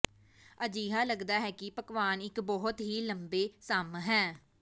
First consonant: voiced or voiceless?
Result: voiced